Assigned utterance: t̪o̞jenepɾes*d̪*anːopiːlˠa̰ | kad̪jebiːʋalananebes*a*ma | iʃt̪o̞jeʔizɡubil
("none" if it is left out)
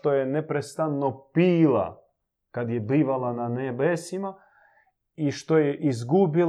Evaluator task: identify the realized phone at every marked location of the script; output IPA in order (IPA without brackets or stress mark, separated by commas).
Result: t̪, i